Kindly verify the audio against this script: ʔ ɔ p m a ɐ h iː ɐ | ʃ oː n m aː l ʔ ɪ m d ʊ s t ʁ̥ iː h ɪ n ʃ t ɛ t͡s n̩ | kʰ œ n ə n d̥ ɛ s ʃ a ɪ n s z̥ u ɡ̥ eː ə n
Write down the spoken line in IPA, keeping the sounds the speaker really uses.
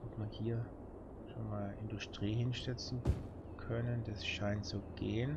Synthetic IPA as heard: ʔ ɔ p m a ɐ h iː ɐ | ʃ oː n m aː l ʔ ɪ n d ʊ s t ʁ̥ iː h ɪ n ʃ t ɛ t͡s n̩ | kʰ œ n ə n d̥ a s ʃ a ɪ n t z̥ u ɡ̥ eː ə n